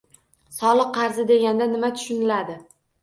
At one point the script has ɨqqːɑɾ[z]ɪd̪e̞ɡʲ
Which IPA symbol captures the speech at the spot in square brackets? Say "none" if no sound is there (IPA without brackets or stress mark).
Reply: z